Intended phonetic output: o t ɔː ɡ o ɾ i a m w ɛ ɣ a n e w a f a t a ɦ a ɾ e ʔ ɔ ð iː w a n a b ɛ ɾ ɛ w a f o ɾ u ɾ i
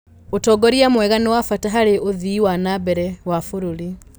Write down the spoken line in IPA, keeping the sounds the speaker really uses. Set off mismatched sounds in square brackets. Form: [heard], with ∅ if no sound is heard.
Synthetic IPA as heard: o t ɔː ɡ [ɔ] ɾ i a m w ɛ ɣ a n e w a f a t a ɦ a ɾ e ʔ [o] ð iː w a n a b ɛ ɾ ɛ w a f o ɾ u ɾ i